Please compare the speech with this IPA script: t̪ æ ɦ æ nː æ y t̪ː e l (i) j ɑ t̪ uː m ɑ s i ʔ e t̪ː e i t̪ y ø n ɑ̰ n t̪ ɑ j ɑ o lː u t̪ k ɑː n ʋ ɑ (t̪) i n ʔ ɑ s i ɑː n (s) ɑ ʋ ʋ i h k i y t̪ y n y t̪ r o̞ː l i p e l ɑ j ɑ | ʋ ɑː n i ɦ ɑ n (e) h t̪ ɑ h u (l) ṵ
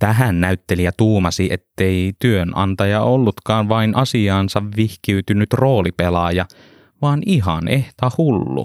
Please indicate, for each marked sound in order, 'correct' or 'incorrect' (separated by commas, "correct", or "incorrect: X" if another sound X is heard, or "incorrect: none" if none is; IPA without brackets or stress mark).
correct, incorrect: none, correct, correct, incorrect: lː